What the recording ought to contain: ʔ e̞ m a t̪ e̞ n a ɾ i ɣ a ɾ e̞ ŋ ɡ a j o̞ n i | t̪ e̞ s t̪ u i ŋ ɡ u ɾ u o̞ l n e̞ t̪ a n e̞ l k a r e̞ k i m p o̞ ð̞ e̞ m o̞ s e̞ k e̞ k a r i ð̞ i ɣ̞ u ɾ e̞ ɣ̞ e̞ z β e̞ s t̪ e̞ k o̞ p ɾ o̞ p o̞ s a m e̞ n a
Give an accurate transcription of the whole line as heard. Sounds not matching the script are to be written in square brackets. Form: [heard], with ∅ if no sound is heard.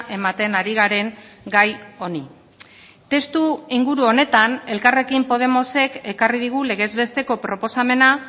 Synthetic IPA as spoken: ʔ e̞ m a t̪ e̞ n a ɾ i ɣ a ɾ e̞ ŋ ɡ a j o̞ n i | t̪ e̞ s t̪ u i ŋ ɡ u ɾ u o̞ [∅] n e̞ t̪ a n e̞ l k a r e̞ k i m p o̞ ð̞ e̞ m o̞ s e̞ k e̞ k a r i ð̞ i ɣ̞ u [l] e̞ ɣ̞ e̞ z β e̞ s t̪ e̞ k o̞ p ɾ o̞ p o̞ s a m e̞ n a